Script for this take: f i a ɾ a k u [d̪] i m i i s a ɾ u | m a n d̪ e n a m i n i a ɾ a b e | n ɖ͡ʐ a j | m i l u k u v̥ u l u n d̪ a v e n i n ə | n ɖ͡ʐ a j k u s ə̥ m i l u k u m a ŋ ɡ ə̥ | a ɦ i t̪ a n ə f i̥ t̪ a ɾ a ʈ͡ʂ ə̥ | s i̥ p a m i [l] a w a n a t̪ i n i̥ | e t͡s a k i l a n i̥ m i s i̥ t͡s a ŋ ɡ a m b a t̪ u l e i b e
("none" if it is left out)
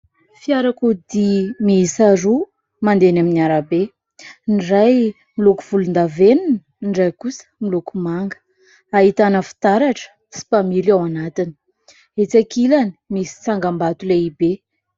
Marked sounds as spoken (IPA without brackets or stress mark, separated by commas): d̪, ɾ